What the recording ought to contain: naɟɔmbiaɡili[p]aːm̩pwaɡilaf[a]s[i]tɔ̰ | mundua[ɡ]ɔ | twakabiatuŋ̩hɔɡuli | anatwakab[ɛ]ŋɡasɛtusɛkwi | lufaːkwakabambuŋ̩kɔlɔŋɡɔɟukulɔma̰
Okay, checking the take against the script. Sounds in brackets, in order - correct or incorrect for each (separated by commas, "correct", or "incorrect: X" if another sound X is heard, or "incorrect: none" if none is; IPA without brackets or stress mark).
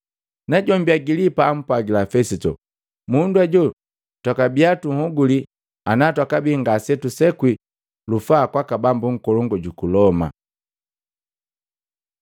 correct, incorrect: ɛ, correct, incorrect: ɟ, incorrect: i